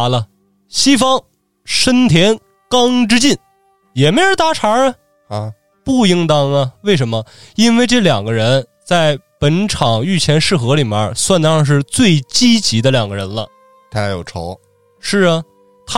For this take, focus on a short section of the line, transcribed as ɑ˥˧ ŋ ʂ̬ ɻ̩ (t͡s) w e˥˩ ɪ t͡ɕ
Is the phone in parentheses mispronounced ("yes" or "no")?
no